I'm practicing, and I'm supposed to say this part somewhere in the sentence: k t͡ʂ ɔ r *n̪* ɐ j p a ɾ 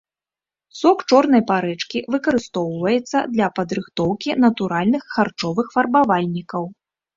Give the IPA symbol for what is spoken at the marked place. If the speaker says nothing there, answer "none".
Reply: n̪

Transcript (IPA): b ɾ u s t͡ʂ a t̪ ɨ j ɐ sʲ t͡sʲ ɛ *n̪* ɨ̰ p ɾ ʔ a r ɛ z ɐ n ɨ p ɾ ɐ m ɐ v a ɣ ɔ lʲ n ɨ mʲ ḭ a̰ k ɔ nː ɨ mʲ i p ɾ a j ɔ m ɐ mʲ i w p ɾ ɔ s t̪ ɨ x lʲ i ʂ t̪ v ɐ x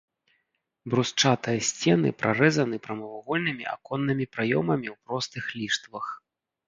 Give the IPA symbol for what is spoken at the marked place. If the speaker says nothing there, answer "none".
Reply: n̪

